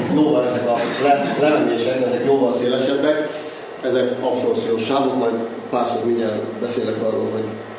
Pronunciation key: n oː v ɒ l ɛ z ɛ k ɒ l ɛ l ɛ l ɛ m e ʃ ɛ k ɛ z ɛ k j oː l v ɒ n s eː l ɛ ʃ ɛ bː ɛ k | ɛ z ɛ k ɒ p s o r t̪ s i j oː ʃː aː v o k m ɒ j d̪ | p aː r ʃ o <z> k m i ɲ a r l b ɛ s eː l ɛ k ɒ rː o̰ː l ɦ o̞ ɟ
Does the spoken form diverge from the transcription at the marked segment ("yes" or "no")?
yes